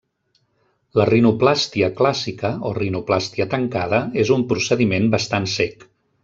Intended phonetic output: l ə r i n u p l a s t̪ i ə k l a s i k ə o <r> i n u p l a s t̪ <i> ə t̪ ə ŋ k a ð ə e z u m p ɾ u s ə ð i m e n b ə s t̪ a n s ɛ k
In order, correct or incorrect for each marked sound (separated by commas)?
correct, correct